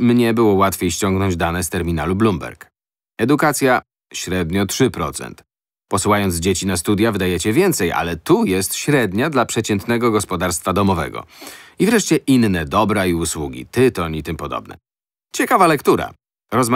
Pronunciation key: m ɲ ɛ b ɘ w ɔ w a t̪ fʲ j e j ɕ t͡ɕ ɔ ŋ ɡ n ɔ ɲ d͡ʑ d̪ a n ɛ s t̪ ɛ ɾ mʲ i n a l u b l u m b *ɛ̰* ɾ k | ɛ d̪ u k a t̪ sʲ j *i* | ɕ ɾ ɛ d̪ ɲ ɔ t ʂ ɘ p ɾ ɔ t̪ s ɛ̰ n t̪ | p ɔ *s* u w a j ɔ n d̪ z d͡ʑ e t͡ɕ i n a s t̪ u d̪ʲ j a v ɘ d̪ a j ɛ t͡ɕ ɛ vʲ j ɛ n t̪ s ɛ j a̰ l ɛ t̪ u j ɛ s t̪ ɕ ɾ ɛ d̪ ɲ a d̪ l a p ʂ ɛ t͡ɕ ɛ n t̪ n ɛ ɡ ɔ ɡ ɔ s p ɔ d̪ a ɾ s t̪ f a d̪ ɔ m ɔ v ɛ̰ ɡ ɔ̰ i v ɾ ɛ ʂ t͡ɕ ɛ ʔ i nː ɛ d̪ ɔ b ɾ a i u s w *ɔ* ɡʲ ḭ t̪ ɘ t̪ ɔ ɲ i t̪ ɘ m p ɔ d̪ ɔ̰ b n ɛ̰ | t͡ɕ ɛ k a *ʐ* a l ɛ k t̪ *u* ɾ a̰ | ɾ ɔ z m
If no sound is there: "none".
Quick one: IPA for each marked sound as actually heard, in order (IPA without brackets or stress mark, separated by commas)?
ɛ̰, a, s, u, v, u